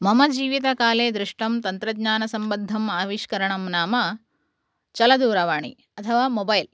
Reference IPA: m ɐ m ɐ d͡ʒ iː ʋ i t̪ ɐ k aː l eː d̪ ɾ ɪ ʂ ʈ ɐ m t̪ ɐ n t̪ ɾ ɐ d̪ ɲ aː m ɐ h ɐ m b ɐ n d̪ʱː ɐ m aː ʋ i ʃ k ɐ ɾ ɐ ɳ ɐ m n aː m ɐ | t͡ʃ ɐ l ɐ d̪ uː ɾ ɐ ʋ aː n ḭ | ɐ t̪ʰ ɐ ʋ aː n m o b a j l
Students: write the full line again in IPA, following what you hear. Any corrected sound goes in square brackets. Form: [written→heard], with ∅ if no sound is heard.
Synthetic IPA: m ɐ m ɐ d͡ʒ iː ʋ i t̪ ɐ k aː l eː d̪ ɾ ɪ ʂ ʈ ɐ m t̪ ɐ n t̪ ɾ ɐ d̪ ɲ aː [m→n] ɐ [h→s] ɐ m b ɐ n d̪ʱː ɐ m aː ʋ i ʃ k ɐ ɾ ɐ ɳ ɐ m n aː m ɐ | t͡ʃ ɐ l ɐ d̪ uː ɾ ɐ ʋ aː [n→ɳ] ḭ | ɐ t̪ʰ ɐ ʋ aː [n→∅] m o b [a→ɐ] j l